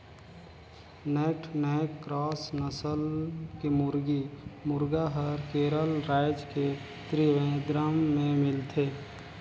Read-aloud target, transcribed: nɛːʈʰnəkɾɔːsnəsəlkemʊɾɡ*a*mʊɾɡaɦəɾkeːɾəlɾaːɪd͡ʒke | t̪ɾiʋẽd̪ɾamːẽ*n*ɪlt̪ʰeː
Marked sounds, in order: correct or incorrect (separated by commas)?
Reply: incorrect, incorrect